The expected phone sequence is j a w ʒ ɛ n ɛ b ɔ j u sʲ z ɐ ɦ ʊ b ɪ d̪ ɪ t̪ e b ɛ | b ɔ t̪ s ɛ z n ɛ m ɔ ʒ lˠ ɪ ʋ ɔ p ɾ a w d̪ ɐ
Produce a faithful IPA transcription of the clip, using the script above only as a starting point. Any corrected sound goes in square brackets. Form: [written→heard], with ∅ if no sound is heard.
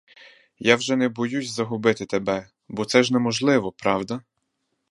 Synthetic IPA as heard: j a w ʒ ɛ n ɛ b ɔ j u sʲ z ɐ ɦ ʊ b ɪ [d̪→t̪] ɪ t̪ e b ɛ | b ɔ t̪ s ɛ [z→ʒ] n ɛ m ɔ ʒ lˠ ɪ ʋ ɔ p ɾ [a→ɑ] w d̪ ɐ